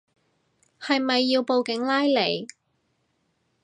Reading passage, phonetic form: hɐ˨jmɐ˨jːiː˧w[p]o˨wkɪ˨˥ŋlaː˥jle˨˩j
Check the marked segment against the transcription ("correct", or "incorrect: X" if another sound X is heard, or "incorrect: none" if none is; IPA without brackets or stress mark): correct